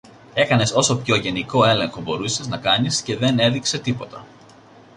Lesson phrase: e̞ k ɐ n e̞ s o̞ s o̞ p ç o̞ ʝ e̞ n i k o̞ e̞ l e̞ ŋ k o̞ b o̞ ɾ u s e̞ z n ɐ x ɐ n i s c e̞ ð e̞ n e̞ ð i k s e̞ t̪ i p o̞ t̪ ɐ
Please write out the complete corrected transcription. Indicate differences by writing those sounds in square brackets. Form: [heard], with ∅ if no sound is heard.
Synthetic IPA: e̞ k ɐ n e̞ s o̞ s o̞ p ç o̞ ʝ e̞ n i k o̞ e̞ l e̞ ŋ [x] o̞ b o̞ ɾ u s e̞ z n ɐ [k] ɐ n i s c e̞ ð e̞ n e̞ ð i k s e̞ t̪ i p o̞ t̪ ɐ